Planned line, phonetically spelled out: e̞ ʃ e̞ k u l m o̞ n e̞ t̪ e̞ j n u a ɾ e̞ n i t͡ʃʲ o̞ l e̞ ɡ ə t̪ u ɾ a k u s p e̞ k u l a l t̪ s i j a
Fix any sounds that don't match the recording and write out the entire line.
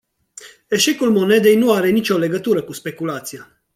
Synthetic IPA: e̞ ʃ e̞ k u l m o̞ n e̞ d̪ e̞ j n u a ɾ e̞ n i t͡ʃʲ o̞ l e̞ ɡ ə t̪ u ɾ ə k u s p e̞ k u l a t̪ s i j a